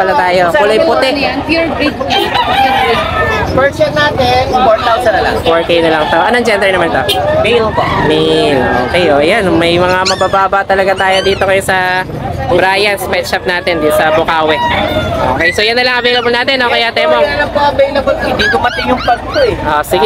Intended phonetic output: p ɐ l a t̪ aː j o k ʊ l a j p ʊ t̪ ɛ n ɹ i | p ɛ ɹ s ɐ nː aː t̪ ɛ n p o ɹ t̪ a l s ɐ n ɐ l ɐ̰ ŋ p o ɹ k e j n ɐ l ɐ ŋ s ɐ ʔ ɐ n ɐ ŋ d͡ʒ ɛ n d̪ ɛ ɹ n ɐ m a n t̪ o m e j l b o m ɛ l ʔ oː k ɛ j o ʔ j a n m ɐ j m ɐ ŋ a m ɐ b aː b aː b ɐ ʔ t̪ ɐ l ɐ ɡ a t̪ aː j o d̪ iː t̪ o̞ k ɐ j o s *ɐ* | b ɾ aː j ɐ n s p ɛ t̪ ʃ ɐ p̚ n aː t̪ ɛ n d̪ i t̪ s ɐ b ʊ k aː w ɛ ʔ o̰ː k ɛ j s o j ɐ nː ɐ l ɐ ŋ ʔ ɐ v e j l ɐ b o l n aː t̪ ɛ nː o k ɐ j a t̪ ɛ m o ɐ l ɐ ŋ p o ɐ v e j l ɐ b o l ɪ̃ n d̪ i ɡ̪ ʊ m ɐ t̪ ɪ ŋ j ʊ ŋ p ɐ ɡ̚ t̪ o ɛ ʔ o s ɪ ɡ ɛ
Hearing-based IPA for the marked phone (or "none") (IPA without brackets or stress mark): ɐ